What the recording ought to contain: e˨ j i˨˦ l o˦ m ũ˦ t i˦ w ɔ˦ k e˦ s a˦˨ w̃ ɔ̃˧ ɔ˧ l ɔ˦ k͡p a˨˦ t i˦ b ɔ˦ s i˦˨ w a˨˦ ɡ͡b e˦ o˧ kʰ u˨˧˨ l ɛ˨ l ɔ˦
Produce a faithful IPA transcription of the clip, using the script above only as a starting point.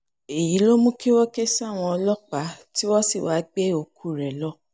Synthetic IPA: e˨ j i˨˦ l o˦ m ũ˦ k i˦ w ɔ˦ k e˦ s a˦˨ w̃ ɔ̃˧ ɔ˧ l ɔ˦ k͡p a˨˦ t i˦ w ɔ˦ s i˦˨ w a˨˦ ɡ͡b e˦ o˧ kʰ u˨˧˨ ɾ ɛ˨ l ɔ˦